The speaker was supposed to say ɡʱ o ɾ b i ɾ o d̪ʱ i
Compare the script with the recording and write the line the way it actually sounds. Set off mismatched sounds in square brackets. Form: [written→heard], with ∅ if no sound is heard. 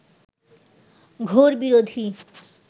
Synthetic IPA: ɡʱ o ɾ b i ɾ o d̪ʱ i